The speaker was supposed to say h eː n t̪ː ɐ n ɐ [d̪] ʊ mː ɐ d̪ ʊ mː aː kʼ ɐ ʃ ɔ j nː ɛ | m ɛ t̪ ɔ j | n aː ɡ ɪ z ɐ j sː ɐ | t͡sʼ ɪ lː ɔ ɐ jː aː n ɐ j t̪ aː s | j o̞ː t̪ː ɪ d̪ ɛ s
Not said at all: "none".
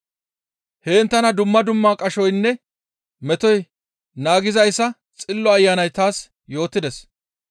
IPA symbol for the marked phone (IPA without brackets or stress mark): d̪